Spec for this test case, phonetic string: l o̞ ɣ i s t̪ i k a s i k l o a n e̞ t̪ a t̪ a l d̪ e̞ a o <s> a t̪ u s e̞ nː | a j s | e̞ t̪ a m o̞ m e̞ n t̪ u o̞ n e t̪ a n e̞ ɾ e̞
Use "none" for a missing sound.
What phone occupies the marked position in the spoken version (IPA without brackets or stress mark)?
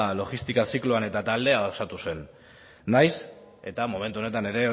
s